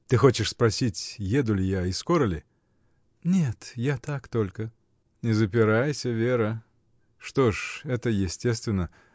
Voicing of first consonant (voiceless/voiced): voiceless